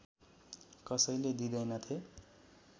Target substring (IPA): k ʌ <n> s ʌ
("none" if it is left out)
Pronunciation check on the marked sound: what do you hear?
none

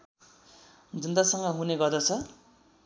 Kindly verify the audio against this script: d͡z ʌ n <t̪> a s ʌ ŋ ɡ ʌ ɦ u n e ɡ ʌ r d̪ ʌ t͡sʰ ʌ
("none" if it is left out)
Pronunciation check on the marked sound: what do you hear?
d̪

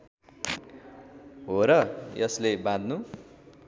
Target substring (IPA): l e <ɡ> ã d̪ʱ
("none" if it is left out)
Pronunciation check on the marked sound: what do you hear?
b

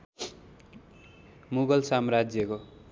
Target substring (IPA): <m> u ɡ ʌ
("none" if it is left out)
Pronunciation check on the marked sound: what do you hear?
m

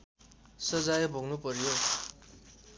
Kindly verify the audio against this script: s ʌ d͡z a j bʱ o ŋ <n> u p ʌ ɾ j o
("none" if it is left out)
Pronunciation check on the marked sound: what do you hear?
n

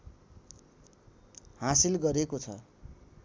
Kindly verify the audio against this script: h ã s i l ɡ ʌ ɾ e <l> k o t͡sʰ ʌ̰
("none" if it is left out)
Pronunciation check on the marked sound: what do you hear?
none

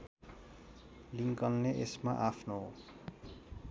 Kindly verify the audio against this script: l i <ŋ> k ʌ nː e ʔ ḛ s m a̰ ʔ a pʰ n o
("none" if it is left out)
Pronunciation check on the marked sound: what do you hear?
ŋ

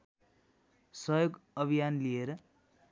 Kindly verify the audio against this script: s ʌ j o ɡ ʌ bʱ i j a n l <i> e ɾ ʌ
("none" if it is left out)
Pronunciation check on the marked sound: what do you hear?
i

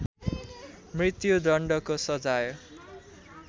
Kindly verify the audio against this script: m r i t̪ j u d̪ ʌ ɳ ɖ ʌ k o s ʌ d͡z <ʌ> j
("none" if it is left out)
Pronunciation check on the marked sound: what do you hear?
a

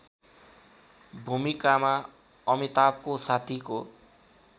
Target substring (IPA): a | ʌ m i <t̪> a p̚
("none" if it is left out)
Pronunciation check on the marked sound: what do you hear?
t̪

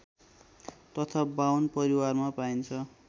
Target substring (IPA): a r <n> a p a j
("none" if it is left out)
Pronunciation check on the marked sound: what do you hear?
m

